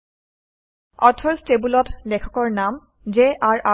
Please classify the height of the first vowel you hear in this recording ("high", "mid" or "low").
mid